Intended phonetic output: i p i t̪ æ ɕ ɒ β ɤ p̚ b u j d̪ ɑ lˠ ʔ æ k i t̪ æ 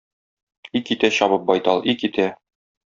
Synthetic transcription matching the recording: i k i t̪ æ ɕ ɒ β ɤ p̚ b ɒ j t̪ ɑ lˠ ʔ i k i t̪ æ